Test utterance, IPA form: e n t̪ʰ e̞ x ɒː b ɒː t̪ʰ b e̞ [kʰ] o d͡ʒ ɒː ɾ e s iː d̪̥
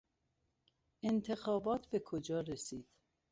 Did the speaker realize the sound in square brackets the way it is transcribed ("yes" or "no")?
yes